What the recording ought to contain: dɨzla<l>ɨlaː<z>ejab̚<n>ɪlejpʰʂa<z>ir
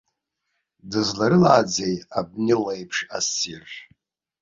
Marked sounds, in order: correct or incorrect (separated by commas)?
incorrect, incorrect, correct, incorrect